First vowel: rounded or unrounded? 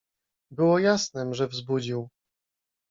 unrounded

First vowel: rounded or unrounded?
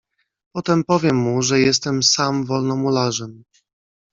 rounded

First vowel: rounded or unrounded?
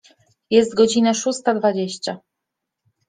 unrounded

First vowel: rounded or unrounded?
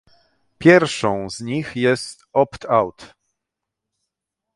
unrounded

